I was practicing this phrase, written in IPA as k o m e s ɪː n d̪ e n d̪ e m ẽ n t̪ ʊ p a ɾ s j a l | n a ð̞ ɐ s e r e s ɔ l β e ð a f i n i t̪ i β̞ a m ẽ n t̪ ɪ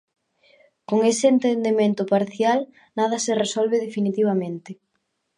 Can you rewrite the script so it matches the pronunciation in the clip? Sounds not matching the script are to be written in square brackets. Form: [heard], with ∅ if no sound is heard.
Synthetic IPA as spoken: k o [ŋ] e s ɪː n [t̪] e n d̪ e m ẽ n t̪ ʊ p a ɾ [θ] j a l | n a ð̞ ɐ s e r e s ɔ l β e ð [e] f i n i t̪ i β̞ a m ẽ n t̪ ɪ